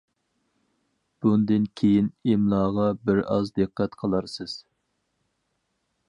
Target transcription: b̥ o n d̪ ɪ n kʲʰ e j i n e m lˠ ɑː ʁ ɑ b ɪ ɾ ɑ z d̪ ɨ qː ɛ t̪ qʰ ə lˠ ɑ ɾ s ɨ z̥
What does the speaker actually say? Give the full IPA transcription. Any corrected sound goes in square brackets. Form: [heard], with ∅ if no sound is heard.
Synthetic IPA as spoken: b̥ [u] n d̪ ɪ n kʲʰ e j i n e m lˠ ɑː ʁ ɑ b ɪ ɾ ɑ z d̪ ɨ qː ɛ t̪ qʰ ə lˠ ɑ ɾ s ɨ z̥

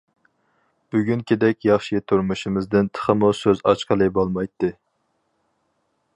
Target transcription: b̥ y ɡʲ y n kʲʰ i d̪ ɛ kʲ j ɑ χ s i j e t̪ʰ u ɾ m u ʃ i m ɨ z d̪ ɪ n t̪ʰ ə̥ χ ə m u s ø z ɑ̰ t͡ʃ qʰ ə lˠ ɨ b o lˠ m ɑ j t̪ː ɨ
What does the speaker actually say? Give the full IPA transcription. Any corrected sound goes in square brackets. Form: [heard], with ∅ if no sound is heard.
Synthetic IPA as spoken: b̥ y ɡʲ y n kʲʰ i d̪ ɛ kʲ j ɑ χ [ʃ] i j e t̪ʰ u ɾ m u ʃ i m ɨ z d̪ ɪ n t̪ʰ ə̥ χ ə m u s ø z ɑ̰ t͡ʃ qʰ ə lˠ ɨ b o lˠ m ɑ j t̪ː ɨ

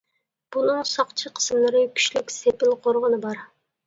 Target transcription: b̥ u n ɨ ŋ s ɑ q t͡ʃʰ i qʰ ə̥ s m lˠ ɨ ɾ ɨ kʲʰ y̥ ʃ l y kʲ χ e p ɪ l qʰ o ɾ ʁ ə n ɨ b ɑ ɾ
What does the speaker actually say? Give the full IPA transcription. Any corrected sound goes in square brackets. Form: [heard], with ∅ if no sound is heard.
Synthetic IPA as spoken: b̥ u n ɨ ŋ s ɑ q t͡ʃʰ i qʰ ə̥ s m lˠ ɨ ɾ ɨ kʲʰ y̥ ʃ l y kʲ [s] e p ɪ l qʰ o ɾ ʁ ə n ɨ b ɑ ɾ

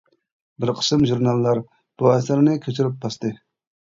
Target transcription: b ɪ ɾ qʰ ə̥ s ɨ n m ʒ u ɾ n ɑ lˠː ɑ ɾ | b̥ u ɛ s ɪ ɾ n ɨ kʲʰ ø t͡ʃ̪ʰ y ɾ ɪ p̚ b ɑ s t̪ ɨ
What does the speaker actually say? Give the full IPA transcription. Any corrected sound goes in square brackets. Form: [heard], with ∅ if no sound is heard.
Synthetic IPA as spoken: b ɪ ɾ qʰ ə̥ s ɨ [∅] m ʒ u ɾ n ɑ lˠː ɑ ɾ | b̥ u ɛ s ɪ ɾ n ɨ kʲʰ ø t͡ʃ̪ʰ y ɾ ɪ p̚ b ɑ s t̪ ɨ

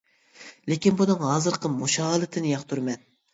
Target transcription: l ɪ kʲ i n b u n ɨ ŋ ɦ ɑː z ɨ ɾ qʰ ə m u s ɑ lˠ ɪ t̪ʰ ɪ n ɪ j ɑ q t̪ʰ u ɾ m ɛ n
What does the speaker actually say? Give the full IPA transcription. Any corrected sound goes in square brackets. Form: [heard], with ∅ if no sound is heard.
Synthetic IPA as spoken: l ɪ kʲ i n b u n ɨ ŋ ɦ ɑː z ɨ ɾ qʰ ə m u [ʃ] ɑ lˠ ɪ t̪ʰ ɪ n ɪ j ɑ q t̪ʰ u ɾ m ɛ n

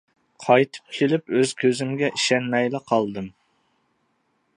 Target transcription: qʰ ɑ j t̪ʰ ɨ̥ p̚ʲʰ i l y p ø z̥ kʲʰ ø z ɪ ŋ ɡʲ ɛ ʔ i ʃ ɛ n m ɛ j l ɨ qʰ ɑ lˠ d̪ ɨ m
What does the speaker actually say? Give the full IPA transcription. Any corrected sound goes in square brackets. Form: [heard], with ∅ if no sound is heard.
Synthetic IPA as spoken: qʰ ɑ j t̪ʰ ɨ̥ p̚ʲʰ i l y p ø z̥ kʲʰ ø z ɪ [m] ɡʲ ɛ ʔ i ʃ ɛ n m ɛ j l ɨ qʰ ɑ lˠ d̪ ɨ m

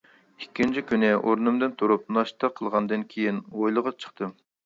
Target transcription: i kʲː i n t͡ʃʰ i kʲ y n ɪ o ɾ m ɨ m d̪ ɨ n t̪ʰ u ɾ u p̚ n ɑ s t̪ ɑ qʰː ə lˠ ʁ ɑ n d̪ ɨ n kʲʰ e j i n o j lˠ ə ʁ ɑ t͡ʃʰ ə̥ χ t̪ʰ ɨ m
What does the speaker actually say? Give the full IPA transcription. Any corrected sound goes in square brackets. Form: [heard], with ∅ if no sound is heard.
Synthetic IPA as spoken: i kʲː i n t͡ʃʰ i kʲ y n ɪ o ɾ [n] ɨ m d̪ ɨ n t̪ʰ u ɾ u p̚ n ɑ [ʃ] t̪ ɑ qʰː ə lˠ ʁ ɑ n d̪ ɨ n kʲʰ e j i n o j lˠ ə ʁ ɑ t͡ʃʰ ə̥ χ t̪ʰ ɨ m

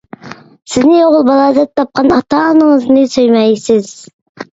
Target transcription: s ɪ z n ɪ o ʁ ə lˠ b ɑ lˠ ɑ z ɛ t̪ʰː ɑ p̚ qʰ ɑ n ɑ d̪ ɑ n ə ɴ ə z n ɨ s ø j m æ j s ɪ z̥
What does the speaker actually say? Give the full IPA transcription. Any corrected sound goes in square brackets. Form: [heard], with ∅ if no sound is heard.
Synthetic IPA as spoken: s ɪ z n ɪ o ʁ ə lˠ b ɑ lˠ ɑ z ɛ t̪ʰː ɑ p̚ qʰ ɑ n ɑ [t̪] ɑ n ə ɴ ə z n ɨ s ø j m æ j s ɪ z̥

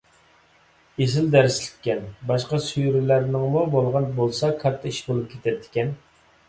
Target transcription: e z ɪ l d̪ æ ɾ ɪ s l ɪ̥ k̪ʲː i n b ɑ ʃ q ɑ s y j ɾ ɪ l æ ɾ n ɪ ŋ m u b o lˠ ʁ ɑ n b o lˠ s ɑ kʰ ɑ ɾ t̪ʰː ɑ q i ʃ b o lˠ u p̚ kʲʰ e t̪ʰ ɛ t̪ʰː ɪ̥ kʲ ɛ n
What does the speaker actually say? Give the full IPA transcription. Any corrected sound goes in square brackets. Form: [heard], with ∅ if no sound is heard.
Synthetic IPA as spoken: e z ɪ l d̪ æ ɾ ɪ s l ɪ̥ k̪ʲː [ɛ] n b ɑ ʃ q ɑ s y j ɾ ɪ l æ ɾ n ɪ ŋ m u b o lˠ ʁ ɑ n b o lˠ s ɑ kʰ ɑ ɾ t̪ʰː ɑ [∅] i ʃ b o lˠ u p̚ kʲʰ e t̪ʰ ɛ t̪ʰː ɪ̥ kʲ ɛ n

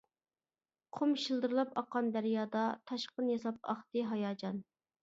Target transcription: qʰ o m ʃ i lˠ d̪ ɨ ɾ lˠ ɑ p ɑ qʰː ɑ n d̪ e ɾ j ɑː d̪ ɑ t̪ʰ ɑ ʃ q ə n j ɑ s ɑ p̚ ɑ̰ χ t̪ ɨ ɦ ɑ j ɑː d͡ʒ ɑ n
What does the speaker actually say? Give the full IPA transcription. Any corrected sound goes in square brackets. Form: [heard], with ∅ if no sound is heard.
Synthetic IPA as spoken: qʰ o m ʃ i lˠ d̪ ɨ ɾ lˠ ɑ p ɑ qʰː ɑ n d̪ [æ] ɾ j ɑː d̪ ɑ t̪ʰ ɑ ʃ q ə n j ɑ s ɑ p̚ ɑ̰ χ t̪ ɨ ɦ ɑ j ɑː d͡ʒ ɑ n

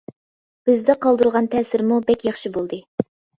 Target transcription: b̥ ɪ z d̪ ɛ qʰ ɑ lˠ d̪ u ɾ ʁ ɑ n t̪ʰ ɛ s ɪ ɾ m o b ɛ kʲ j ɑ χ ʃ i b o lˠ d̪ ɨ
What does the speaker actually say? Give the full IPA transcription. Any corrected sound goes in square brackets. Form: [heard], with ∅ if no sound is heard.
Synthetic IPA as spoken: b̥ ɪ z d̪ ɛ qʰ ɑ lˠ d̪ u ɾ ʁ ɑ n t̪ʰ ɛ s ɪ ɾ m [u] b ɛ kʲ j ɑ χ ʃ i b o lˠ d̪ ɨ

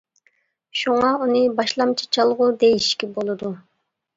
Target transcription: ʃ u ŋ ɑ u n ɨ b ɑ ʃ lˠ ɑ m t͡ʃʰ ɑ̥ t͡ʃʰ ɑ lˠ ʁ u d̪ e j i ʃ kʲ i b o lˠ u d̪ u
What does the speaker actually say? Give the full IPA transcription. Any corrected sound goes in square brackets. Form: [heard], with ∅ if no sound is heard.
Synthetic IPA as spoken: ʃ u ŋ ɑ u n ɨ b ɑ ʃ lˠ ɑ m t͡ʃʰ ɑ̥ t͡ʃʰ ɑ lˠ ʁ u d̪ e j i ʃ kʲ i b o lˠ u d̪ u

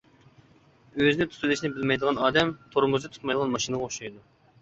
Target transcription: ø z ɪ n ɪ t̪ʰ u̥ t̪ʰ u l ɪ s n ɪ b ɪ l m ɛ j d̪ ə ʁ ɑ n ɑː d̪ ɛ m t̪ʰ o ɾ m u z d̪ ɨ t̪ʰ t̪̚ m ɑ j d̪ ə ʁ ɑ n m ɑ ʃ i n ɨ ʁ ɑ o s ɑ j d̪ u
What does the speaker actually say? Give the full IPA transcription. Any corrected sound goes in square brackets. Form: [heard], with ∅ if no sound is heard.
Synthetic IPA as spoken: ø z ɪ n ɪ t̪ʰ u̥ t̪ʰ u l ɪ [ʃ] n ɪ b ɪ l m ɛ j d̪ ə ʁ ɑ n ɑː d̪ ɛ m t̪ʰ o ɾ m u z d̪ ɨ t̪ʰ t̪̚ m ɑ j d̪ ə ʁ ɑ n m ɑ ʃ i n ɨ ʁ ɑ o [ʃ] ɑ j d̪ u

